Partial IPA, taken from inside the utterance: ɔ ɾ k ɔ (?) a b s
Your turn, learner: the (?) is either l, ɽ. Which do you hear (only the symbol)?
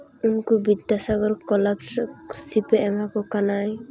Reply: l